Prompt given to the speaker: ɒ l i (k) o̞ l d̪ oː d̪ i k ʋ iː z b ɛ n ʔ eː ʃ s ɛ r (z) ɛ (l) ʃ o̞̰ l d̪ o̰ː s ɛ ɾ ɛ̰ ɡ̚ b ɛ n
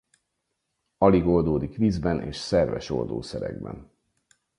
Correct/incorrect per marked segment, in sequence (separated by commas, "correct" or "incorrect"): incorrect, incorrect, incorrect